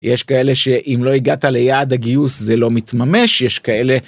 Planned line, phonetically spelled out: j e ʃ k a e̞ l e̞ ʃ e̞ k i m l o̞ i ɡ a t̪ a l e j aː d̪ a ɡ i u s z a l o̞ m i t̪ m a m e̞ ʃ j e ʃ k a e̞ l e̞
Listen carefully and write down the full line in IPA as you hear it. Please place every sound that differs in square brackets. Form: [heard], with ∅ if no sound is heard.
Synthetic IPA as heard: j e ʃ k a e̞ l e̞ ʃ e̞ [ʔ] i m l o̞ i ɡ a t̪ a l e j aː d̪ a ɡ i u s z [e] l o̞ m i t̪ m a m e̞ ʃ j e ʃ k a e̞ l e̞